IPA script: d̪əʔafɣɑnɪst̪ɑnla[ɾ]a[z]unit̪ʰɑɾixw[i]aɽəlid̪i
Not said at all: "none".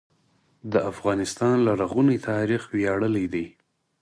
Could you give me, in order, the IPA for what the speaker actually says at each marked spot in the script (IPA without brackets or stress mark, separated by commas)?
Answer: ɾ, ɣ, j